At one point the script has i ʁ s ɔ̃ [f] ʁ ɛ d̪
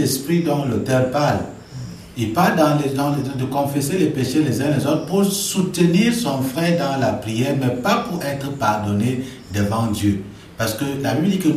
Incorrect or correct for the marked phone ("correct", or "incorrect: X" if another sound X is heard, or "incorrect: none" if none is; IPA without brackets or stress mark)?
correct